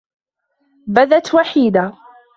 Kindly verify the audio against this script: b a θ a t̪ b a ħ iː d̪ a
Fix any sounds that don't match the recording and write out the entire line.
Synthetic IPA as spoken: b a ð a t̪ w a ħ iː d̪ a